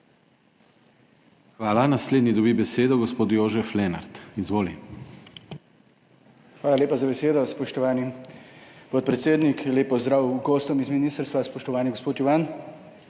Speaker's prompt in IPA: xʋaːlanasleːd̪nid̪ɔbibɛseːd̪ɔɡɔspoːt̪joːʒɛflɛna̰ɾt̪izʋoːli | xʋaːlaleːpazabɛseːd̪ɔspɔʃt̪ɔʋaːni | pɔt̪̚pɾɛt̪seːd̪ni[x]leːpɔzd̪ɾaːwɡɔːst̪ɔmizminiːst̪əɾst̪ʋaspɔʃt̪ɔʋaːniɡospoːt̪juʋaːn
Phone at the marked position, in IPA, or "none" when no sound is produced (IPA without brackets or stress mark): k